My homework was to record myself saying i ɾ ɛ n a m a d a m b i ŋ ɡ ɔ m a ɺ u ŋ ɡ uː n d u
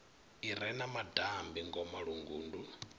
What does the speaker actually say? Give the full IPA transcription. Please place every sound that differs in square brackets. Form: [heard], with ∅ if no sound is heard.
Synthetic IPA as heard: i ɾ ɛ n a m a d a m b i ŋ ɡ ɔ m a ɺ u ŋ ɡ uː n d u